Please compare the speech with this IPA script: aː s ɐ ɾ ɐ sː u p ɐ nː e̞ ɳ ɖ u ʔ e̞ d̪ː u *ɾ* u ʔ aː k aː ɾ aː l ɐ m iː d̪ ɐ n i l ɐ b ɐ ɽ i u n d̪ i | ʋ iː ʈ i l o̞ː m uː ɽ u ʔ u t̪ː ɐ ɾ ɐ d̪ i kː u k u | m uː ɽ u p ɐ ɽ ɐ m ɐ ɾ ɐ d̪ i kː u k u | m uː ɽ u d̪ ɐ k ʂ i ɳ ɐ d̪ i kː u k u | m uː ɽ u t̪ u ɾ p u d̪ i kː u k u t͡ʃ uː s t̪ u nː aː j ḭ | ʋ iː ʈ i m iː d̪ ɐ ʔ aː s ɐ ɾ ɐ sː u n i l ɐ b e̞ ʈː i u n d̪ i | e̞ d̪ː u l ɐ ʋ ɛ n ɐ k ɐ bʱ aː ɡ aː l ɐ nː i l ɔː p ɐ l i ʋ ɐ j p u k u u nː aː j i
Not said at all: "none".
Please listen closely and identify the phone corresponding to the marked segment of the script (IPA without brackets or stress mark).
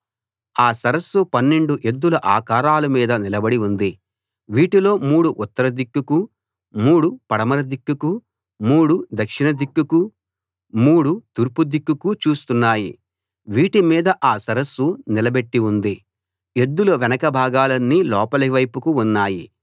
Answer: l